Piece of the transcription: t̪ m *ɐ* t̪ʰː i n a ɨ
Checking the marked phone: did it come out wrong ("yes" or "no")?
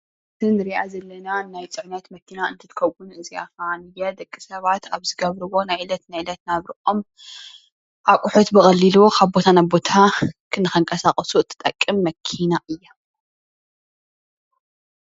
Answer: no